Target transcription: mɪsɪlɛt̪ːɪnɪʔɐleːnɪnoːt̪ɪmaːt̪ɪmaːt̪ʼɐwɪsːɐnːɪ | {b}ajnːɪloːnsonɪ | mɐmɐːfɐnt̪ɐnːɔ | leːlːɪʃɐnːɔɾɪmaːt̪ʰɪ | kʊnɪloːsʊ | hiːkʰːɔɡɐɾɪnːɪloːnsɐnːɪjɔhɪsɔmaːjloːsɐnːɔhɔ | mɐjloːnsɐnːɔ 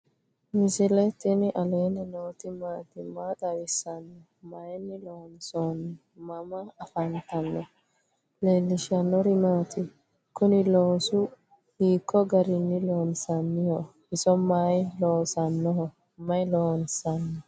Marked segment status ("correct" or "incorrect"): incorrect